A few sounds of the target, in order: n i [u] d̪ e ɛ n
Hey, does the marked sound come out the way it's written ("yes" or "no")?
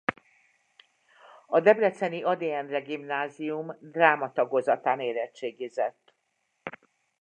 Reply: no